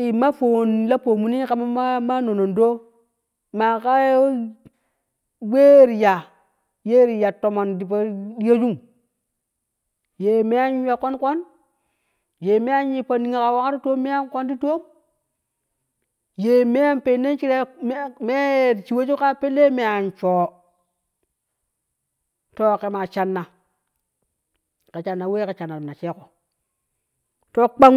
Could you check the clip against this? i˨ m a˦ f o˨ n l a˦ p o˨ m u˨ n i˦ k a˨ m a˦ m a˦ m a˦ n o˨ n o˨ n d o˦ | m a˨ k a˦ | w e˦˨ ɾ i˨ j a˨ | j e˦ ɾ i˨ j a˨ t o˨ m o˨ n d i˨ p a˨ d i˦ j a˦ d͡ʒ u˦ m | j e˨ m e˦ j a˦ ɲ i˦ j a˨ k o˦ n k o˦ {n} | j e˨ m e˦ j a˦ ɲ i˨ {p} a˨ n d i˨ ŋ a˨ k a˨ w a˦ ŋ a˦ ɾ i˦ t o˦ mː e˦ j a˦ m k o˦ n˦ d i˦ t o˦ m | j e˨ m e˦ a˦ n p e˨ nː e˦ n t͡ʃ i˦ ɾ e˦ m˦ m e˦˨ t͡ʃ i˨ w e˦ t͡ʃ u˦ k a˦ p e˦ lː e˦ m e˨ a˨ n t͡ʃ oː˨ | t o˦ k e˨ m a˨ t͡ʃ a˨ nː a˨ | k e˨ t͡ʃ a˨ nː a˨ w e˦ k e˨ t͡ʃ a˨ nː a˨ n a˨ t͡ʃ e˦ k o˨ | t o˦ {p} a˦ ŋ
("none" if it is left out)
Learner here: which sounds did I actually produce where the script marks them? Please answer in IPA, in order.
n, p, k͡p

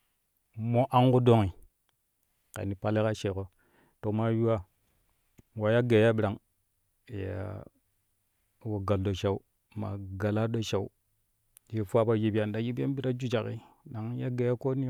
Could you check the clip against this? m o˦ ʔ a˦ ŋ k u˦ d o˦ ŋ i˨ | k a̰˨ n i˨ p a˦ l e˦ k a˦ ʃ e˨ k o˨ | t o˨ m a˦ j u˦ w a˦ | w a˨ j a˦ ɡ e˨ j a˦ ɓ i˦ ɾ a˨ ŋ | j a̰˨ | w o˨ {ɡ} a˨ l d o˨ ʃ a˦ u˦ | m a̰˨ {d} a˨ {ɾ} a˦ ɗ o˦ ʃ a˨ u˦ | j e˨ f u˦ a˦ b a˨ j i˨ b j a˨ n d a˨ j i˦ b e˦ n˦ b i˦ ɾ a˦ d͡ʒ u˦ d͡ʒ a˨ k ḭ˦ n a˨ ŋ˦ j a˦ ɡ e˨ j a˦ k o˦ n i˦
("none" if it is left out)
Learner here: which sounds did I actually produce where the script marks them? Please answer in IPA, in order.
ɡ, ɡ, l

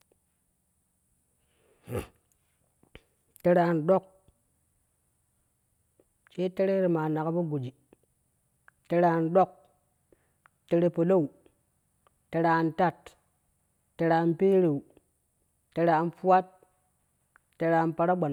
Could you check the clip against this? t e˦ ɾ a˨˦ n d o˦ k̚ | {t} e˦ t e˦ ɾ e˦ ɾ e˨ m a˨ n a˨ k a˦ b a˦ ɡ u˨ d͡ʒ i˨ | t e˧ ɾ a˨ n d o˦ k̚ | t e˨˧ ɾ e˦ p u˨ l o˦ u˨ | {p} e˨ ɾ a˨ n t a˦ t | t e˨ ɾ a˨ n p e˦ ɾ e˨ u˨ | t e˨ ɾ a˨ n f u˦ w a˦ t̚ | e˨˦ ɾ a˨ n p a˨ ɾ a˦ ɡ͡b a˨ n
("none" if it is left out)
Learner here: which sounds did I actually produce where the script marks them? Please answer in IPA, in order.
t͡ʃ, t

